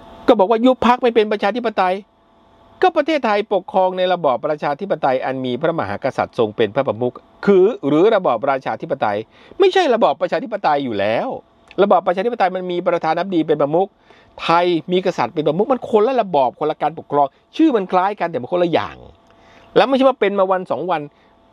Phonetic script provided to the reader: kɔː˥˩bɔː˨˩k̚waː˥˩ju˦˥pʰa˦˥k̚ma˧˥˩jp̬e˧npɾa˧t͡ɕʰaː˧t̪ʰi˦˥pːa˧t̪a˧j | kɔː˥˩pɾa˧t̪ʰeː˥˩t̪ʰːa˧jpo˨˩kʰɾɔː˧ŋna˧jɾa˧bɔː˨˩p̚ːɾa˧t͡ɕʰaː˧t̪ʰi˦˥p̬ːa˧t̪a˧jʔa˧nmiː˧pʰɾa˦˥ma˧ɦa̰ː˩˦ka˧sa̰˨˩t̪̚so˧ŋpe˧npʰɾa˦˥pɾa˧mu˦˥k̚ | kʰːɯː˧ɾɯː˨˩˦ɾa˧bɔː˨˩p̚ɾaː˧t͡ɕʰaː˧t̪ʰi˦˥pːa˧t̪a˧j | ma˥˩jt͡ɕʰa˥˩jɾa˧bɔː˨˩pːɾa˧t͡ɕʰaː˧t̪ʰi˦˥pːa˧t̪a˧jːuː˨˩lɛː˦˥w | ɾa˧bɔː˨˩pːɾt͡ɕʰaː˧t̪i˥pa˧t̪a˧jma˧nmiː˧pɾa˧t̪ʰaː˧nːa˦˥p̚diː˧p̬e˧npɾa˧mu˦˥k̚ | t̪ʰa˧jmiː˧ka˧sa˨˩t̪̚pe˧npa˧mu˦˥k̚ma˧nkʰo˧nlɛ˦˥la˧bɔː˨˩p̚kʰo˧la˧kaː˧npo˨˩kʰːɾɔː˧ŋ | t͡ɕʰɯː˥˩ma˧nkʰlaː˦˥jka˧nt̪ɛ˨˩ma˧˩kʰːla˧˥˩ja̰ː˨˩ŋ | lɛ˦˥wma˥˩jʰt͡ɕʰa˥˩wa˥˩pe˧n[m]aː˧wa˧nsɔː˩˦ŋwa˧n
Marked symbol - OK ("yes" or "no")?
yes